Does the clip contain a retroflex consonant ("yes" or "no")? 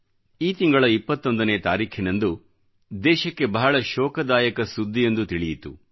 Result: yes